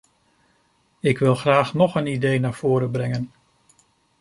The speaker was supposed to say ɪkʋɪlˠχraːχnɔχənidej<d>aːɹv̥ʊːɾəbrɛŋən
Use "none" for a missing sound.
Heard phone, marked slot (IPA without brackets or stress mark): n